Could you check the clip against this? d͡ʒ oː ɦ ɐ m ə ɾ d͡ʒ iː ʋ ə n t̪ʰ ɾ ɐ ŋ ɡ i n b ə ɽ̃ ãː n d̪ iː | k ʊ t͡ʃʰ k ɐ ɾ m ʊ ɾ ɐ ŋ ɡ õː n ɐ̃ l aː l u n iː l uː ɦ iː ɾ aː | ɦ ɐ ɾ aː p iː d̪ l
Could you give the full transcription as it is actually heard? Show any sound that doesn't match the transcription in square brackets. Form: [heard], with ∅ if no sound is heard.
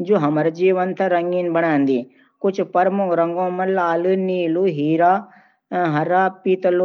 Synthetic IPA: d͡ʒ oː ɦ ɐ m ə ɾ d͡ʒ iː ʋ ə n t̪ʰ ɾ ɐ ŋ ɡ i n b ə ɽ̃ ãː n d̪ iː | k ʊ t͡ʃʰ [p] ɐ ɾ m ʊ ɾ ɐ ŋ ɡ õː [m] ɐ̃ l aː l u n iː l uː ɦ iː ɾ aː | ɦ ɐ ɾ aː p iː [t̪] l